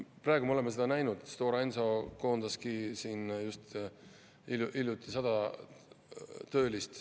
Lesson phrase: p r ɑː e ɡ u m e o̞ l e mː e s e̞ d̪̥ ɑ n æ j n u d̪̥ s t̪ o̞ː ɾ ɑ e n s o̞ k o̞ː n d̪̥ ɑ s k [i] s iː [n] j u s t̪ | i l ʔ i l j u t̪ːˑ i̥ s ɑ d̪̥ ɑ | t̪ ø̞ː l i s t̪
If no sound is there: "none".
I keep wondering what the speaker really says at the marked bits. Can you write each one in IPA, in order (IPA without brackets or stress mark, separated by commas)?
i, n